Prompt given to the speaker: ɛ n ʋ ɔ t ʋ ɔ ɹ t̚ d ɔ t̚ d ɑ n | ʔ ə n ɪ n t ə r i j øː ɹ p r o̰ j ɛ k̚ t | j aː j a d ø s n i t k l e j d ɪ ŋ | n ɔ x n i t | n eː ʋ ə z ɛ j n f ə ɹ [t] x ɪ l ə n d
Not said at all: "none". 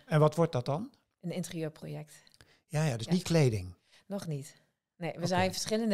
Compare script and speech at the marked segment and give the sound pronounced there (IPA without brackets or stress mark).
s